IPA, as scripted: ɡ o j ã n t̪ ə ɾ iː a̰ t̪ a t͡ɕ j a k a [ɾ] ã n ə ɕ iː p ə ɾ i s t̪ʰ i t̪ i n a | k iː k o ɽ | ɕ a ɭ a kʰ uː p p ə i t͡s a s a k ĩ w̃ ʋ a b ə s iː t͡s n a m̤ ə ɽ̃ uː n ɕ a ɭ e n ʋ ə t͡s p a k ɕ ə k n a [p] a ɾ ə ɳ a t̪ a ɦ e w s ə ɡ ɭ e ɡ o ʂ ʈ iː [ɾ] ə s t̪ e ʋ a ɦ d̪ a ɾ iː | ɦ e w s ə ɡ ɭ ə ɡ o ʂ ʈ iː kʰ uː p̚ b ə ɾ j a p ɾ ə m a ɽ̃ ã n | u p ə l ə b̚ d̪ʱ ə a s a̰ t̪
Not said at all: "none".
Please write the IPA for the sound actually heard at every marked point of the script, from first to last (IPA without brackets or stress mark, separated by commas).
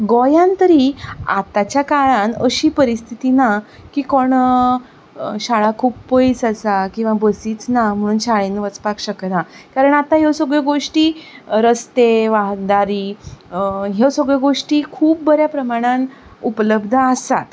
ɭ, k, ɾ